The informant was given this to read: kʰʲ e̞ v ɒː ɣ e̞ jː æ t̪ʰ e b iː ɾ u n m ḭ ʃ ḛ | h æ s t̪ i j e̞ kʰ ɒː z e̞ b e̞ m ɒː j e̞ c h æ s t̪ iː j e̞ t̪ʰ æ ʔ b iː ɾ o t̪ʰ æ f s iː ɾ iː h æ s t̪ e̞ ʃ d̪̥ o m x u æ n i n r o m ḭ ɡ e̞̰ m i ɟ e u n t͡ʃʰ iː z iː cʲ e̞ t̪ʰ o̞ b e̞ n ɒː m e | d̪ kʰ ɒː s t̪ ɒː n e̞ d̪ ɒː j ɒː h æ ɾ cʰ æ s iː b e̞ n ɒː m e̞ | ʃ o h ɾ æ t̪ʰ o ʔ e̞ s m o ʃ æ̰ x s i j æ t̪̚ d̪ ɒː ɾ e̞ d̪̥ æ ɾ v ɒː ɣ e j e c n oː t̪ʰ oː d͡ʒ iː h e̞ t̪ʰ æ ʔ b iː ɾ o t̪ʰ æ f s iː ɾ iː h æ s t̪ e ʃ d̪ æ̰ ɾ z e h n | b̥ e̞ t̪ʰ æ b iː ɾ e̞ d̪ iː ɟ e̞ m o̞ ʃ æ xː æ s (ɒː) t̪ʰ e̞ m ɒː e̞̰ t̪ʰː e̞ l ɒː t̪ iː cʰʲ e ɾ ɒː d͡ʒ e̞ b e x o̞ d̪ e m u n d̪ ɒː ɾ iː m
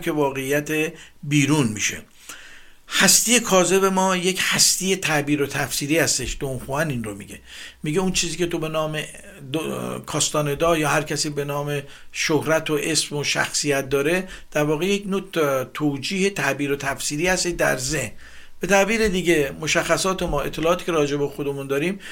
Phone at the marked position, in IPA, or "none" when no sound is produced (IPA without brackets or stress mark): ɒː